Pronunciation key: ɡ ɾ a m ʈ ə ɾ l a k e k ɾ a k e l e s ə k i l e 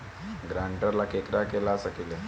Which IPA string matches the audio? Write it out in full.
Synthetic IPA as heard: ɡ ɾ a ɳ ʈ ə ɾ l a k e k ɾ a k e l a s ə k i l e